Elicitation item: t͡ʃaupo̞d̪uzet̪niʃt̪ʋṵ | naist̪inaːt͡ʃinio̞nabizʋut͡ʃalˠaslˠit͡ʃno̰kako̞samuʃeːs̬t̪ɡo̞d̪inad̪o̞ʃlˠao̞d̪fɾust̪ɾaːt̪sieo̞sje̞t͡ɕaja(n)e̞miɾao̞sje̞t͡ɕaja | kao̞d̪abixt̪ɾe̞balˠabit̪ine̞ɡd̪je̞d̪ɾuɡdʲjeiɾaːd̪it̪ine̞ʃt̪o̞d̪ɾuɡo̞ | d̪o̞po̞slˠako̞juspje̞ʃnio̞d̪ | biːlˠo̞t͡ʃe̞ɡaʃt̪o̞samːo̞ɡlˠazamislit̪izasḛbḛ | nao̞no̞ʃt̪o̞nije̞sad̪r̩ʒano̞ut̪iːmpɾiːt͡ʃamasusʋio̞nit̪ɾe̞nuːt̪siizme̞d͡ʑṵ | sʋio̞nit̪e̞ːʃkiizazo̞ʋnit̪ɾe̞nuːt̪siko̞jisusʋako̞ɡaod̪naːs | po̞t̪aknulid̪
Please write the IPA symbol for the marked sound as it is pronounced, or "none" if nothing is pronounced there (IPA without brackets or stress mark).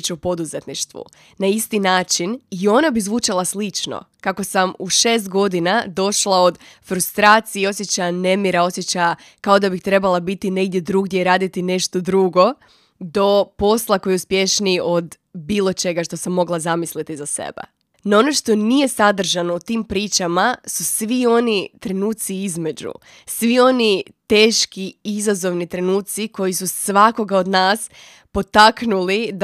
n